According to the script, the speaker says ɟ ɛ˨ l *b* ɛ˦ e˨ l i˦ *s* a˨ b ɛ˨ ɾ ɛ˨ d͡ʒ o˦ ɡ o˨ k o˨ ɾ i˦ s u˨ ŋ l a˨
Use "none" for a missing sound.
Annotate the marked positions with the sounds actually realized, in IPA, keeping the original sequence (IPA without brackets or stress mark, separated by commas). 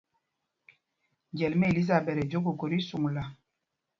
m, z